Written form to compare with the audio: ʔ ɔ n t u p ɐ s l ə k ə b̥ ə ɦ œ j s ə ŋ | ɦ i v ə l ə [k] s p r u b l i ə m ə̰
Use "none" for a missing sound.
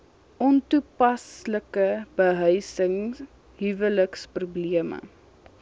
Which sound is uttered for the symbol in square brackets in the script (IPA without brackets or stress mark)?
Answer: k